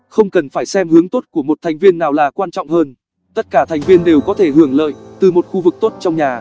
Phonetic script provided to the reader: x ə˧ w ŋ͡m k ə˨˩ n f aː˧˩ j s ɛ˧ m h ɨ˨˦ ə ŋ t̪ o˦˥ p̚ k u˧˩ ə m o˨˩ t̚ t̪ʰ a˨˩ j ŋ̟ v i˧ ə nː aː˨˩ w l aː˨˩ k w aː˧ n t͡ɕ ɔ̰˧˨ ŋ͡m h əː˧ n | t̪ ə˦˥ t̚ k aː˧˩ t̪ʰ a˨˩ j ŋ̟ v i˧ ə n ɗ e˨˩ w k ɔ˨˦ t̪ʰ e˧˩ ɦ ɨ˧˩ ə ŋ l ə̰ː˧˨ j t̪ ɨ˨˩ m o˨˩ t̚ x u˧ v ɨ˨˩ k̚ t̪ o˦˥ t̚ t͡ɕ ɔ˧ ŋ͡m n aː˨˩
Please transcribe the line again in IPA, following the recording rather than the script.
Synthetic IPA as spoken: x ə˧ w ŋ͡m k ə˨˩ n f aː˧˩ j s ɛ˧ m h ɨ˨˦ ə ŋ t̪ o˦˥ t̚ k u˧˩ ə m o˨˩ t̚ t̪ʰ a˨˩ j ŋ̟ v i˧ ə nː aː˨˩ w l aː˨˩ k w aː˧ n t͡ɕ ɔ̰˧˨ ŋ͡m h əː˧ n | t̪ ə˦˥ t̚ k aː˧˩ t̪ʰ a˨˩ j ŋ̟ v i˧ ə n ɗ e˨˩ w k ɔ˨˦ t̪ʰ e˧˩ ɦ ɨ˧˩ ə ŋ l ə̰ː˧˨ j t̪ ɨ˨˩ m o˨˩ t̚ x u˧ v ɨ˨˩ k̚ t̪ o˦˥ t̚ t͡ɕ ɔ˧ ŋ͡m ɲ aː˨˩